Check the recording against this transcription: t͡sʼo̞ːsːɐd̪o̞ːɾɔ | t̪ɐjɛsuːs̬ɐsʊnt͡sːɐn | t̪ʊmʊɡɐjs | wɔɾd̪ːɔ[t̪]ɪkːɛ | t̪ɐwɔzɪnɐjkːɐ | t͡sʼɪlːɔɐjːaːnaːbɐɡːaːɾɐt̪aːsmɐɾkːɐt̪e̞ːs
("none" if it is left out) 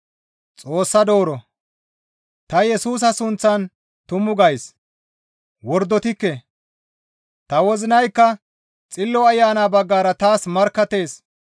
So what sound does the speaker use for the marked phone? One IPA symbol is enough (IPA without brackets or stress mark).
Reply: t̪